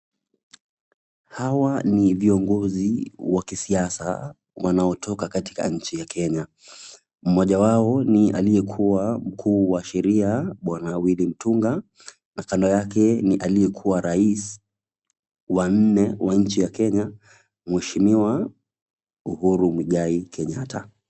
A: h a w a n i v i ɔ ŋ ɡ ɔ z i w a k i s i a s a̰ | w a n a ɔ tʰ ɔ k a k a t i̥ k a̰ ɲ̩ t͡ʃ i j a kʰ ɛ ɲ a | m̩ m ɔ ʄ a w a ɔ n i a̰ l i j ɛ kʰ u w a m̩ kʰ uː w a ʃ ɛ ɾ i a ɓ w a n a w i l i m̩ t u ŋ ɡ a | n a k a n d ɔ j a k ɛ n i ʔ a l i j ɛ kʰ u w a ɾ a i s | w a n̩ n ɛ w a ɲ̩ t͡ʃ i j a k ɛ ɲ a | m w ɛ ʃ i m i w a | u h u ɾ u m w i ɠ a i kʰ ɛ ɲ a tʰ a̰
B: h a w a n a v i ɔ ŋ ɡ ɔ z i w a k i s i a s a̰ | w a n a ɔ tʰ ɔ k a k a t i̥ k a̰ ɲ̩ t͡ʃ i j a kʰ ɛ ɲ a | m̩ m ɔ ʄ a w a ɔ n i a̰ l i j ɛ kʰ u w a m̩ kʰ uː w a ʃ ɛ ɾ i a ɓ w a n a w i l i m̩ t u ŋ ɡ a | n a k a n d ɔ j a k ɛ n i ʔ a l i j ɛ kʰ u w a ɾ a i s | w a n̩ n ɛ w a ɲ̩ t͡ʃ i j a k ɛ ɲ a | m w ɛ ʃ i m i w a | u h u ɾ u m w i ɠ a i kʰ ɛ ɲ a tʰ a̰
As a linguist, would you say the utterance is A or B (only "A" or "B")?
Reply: A